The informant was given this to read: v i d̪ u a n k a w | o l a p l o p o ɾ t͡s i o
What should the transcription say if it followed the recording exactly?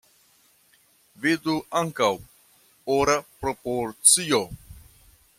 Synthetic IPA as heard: v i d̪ u a ŋ k a w | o ɾ a p ɾ o p o ɾ t͡s i o